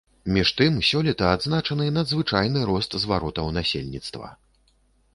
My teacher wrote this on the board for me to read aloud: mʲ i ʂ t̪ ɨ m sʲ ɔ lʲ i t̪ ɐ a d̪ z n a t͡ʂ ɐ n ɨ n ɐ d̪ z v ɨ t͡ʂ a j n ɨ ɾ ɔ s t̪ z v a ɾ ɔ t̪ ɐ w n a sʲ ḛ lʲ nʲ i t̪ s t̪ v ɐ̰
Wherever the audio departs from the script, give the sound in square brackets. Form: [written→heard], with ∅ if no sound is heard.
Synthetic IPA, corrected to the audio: mʲ i ʂ t̪ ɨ m sʲ ɔ lʲ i t̪ ɐ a d̪ z n a t͡ʂ ɐ n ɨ n ɐ d̪ z v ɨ t͡ʂ a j n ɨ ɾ ɔ s t̪ z v a ɾ ɔ t̪ ɐ w n a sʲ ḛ lʲ nʲ i t̪ s t̪ v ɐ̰